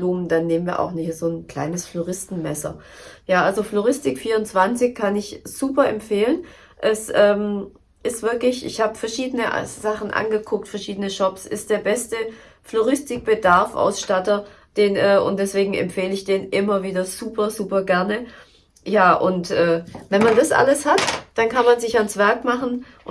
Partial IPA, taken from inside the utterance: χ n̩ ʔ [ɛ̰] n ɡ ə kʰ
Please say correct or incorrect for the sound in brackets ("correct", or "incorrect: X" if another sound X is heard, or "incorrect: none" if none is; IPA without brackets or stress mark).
incorrect: a̰